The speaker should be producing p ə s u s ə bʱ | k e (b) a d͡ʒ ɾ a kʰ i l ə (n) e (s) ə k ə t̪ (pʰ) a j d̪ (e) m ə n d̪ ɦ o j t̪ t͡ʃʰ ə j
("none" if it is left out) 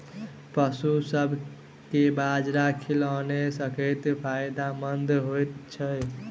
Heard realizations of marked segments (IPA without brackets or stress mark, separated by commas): b, n, s, pʰ, a